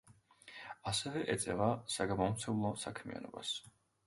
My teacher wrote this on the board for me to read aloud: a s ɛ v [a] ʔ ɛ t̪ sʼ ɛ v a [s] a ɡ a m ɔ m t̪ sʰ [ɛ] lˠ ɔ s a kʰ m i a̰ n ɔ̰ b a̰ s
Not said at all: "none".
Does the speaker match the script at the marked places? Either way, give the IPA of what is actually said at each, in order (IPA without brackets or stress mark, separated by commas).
ɛ, s, ɛ